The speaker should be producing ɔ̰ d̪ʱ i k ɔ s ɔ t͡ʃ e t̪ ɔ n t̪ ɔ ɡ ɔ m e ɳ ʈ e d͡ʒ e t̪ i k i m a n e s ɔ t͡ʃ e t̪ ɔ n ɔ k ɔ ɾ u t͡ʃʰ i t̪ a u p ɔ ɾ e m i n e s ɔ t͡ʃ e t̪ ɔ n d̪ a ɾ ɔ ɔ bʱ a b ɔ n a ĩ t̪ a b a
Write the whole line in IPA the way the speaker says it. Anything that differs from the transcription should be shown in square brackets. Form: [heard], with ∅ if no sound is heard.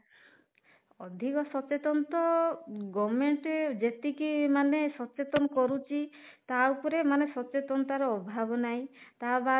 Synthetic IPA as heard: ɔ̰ d̪ʱ i k ɔ s ɔ t͡ʃ e t̪ ɔ n t̪ ɔ ɡ ɔ m e ɳ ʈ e d͡ʒ e t̪ i k i m a n e s ɔ t͡ʃ e t̪ ɔ n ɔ k ɔ ɾ u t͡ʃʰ i t̪ a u p ɔ ɾ e m [a] n e s ɔ t͡ʃ e t̪ ɔ n [t̪] a ɾ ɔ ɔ bʱ a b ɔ n a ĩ t̪ a b a